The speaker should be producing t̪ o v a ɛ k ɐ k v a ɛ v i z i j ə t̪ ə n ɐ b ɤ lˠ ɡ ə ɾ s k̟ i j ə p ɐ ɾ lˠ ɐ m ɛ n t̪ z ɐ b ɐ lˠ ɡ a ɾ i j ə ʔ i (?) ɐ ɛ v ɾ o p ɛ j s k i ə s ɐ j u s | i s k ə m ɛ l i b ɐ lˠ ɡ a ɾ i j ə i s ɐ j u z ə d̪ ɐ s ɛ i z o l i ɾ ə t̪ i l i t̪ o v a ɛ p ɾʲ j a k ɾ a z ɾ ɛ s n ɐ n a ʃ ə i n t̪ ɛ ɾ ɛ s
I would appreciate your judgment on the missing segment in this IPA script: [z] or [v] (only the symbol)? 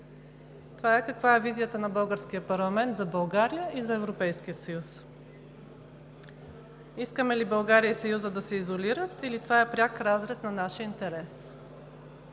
z